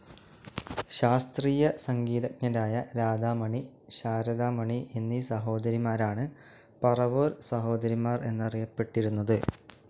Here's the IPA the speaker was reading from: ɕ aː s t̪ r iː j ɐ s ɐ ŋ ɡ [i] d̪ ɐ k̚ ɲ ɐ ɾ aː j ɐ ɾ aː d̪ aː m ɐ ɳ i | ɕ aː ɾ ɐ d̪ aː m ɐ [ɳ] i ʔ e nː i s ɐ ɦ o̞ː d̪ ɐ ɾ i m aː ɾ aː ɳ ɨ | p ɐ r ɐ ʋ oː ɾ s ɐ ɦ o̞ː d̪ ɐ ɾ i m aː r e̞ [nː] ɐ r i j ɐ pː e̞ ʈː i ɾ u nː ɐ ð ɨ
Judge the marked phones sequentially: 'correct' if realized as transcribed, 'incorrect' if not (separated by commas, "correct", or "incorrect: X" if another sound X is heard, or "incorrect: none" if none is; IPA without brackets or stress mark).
incorrect: iː, correct, correct